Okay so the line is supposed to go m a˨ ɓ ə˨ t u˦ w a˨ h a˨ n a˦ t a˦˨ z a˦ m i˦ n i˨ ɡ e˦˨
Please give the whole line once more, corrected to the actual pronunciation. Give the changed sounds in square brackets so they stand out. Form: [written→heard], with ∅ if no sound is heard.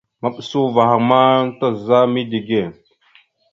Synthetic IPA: m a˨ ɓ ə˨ [t→s] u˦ [w→v] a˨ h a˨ [n→m] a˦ t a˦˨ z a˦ m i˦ [n→d] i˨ ɡ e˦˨